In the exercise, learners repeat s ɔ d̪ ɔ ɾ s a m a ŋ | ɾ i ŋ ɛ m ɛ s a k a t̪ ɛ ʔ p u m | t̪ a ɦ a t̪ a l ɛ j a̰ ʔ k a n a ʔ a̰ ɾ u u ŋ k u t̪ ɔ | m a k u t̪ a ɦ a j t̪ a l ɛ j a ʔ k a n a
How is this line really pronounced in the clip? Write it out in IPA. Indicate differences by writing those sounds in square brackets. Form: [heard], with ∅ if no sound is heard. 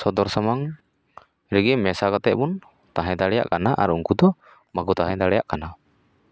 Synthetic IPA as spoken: s ɔ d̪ ɔ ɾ s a m a ŋ | ɾ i [ɡ] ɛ m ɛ s a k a t̪ ɛ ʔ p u [n] | t̪ a ɦ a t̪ a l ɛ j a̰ ʔ k a n a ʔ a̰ ɾ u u ŋ k u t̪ ɔ | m a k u t̪ a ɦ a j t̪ a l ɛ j a ʔ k a n a